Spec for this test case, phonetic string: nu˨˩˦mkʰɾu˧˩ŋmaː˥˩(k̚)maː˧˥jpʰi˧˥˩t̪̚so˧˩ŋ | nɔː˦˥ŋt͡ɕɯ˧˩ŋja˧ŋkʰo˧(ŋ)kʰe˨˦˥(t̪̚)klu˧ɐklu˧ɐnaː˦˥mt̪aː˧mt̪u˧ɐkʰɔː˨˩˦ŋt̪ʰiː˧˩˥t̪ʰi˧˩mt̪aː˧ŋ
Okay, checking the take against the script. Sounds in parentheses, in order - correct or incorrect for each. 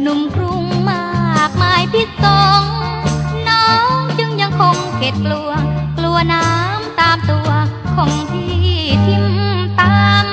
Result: correct, correct, correct

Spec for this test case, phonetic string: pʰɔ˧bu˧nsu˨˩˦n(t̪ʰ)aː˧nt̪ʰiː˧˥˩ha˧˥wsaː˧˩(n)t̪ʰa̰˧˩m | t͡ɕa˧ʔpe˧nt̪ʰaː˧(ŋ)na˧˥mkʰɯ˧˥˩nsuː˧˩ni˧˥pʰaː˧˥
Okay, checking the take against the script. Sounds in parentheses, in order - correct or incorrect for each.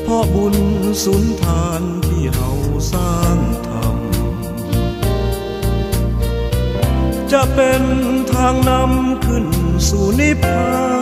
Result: correct, incorrect, correct

